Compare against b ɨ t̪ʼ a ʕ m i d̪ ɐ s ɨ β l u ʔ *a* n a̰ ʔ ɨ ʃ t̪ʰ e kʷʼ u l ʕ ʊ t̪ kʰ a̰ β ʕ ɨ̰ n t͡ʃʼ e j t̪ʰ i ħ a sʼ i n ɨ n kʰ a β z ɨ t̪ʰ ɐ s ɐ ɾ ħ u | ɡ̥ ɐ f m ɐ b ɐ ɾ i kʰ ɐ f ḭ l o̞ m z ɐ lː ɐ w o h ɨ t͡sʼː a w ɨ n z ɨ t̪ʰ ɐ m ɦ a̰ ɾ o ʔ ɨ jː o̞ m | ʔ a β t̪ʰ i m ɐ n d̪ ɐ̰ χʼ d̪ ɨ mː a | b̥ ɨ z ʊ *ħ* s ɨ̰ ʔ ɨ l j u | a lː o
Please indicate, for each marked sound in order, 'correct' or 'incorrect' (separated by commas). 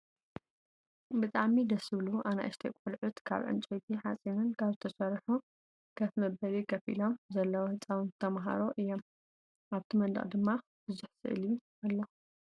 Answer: correct, correct